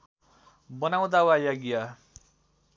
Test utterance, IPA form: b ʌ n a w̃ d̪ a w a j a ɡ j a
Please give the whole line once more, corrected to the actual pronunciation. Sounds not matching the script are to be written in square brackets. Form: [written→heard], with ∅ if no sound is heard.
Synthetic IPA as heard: b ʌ n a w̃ d̪ a w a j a ɡ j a